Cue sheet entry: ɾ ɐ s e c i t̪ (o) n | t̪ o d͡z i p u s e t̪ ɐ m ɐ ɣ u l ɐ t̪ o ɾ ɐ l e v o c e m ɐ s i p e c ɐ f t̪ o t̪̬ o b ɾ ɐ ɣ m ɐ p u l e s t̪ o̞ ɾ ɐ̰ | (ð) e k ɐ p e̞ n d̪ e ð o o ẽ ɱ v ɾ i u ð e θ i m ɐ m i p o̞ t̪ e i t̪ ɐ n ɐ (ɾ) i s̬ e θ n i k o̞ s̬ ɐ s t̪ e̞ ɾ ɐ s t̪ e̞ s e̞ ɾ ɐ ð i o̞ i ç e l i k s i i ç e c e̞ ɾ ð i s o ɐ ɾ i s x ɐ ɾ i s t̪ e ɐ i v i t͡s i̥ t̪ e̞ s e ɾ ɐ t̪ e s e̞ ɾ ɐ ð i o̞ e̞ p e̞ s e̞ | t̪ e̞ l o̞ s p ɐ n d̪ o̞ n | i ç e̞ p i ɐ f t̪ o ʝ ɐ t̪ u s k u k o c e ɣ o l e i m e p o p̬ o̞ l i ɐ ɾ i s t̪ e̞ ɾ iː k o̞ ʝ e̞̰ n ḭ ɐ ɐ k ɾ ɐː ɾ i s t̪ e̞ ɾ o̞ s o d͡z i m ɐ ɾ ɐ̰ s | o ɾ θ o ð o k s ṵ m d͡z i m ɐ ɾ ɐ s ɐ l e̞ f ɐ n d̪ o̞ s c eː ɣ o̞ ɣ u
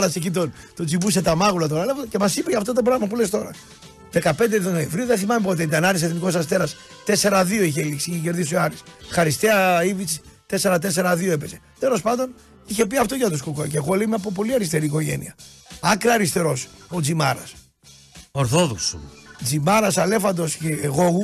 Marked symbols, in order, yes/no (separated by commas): yes, yes, yes